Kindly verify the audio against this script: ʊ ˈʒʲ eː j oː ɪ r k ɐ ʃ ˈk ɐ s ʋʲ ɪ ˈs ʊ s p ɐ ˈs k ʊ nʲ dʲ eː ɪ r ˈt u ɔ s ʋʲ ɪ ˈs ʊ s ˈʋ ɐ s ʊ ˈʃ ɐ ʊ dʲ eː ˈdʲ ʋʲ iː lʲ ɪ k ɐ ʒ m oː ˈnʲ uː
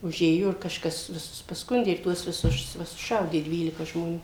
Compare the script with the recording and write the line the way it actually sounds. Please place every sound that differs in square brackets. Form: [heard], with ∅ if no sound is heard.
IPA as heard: ʊ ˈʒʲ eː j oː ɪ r k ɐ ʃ ˈk ɐ s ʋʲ ɪ ˈs ʊ s p ɐ ˈs k ʊ nʲ dʲ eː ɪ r ˈt u ɔ s ʋʲ ɪ ˈs ʊ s ˈʋ ɐ s ʊ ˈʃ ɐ ʊ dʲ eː ˈdʲ ʋʲ iː lʲ ɪ k ɐ ʒ m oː ˈnʲ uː